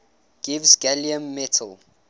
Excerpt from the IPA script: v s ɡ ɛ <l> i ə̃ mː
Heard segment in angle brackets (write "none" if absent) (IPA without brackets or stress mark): l